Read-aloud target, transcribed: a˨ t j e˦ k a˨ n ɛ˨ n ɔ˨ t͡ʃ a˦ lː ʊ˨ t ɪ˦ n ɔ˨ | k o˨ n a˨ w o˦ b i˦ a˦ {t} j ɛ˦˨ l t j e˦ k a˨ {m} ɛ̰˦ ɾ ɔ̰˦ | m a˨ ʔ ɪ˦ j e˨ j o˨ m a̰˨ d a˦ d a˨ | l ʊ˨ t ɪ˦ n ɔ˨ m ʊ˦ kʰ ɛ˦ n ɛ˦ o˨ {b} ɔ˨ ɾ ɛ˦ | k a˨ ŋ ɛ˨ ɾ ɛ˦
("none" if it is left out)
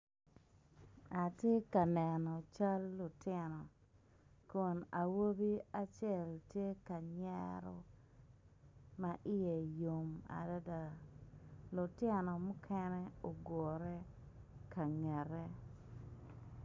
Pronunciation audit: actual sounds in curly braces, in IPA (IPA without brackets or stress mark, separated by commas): t͡ʃ, ɲ, ɡ